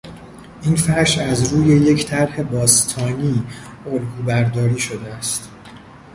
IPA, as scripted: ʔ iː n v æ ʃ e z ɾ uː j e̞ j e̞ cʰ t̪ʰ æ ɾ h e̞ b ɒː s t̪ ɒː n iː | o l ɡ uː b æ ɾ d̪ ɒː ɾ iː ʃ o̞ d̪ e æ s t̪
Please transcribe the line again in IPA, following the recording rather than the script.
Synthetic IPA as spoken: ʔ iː n f æ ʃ æ z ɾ uː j e̞ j e̞ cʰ t̪ʰ æ ɾ h e̞ b ɒː s t̪ʰ ɒː n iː | o l ɡ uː b æ ɾ d̪ ɒː ɾ iː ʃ o̞ d̪ e æ s t̪